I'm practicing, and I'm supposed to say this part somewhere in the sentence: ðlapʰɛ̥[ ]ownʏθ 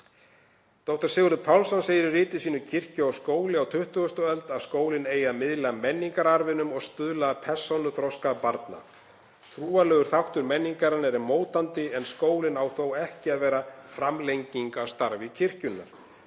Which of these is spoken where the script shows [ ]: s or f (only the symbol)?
s